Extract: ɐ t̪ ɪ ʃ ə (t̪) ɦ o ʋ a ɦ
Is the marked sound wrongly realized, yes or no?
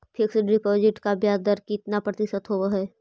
no